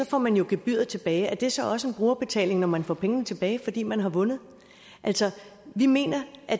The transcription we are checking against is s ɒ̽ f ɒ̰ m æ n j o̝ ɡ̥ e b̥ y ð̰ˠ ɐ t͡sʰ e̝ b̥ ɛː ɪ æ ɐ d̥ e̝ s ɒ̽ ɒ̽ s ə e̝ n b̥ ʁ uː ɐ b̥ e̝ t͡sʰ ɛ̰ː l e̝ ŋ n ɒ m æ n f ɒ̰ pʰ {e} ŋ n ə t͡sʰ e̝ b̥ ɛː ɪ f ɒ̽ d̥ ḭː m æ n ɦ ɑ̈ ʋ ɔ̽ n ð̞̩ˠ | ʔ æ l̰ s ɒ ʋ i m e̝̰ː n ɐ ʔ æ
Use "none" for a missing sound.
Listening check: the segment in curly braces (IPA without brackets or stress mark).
e